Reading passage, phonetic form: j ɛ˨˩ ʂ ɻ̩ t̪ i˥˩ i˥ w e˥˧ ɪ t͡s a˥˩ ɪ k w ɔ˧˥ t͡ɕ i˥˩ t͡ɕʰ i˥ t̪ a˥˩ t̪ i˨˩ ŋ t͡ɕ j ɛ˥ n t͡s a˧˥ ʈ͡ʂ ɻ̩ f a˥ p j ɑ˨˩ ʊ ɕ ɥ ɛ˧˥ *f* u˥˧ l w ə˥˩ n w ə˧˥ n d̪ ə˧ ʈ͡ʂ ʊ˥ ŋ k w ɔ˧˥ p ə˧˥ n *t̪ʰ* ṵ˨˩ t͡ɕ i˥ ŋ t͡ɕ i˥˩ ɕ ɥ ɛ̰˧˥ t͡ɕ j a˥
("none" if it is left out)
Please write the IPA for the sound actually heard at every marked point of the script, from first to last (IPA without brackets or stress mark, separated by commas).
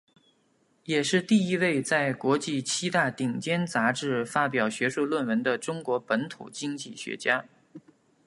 ʂ, t̪ʰ